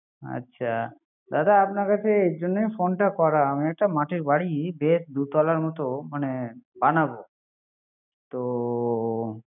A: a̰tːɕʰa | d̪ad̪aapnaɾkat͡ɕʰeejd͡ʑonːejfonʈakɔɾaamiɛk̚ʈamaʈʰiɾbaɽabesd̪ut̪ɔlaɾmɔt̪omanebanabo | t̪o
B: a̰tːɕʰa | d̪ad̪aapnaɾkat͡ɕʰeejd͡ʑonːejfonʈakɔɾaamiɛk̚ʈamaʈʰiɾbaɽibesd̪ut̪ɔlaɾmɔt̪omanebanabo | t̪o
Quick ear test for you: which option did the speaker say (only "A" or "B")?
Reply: B